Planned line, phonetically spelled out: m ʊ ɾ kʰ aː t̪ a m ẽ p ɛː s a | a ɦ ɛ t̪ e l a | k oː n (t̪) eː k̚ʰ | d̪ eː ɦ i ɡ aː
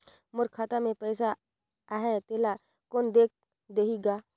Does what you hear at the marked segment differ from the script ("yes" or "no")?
yes